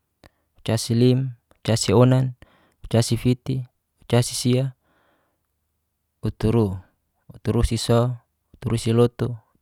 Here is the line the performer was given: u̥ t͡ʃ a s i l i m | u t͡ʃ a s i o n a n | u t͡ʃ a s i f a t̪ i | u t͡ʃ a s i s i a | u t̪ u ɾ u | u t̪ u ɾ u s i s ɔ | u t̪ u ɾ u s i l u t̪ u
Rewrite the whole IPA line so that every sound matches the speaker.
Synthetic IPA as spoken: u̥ t͡ʃ a s i l i m | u t͡ʃ a s i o n a n | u t͡ʃ a s i f i t̪ i | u t͡ʃ a s i s i a | u t̪ u ɾ u | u t̪ u ɾ u s i s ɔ | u t̪ u ɾ u s i l o t̪ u